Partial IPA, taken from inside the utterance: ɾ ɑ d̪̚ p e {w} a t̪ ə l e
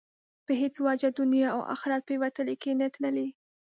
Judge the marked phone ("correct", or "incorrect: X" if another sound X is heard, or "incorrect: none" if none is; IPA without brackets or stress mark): correct